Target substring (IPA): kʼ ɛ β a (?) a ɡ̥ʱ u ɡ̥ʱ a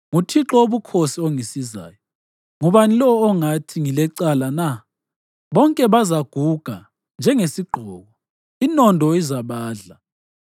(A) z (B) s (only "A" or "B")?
A